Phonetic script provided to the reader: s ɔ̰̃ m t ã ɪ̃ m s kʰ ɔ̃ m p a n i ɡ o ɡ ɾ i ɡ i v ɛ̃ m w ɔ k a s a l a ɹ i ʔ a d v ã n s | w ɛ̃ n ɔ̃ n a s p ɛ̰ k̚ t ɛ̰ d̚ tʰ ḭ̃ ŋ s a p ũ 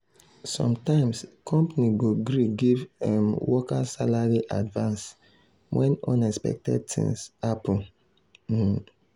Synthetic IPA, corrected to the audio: s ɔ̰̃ m t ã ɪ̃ m s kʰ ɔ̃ m p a n i ɡ o ɡ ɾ i ɡ i v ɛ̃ m w ɔ k a s a l a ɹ i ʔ a d v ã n s | w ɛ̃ n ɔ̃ n ɛ s p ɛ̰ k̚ t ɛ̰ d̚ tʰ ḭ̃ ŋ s a p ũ